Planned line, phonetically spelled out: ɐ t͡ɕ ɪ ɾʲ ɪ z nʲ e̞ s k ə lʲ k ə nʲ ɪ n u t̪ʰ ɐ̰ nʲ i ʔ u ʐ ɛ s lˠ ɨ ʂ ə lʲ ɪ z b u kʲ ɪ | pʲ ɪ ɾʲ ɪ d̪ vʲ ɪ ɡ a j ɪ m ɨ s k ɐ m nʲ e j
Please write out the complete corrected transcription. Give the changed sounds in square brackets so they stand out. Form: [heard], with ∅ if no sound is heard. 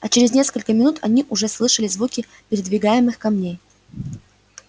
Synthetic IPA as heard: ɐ t͡ɕ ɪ ɾʲ ɪ z nʲ e̞ s k ə lʲ k ə [mʲ] ɪ n u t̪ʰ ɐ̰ nʲ i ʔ [ʊ] ʐ ɛ s lˠ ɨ ʂ ə lʲ ɪ z [v] u kʲ ɪ | pʲ ɪ ɾʲ ɪ d̪ vʲ ɪ ɡ a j ɪ m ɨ [x] k ɐ m nʲ e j